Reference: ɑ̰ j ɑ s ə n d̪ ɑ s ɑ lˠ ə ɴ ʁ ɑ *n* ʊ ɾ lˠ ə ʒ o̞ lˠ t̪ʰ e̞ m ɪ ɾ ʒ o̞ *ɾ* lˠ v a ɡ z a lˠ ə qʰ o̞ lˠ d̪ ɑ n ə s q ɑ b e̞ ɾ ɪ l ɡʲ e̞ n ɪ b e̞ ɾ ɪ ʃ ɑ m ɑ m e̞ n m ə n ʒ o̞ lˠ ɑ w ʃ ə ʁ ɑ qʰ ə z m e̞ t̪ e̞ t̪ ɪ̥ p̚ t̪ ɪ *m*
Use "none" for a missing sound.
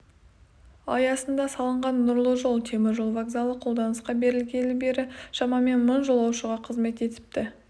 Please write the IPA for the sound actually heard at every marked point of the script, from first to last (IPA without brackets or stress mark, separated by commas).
nː, none, none